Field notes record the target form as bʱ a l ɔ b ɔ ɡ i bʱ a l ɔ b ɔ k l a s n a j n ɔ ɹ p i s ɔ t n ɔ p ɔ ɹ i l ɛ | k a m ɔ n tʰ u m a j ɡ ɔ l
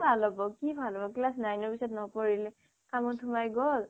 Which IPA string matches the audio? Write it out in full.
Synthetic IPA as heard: bʱ a l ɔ b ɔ k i bʱ a l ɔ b ɔ k l a s n a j n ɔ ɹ p i s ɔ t n ɔ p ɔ ɹ i l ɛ | k a m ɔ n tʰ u m a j ɡ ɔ l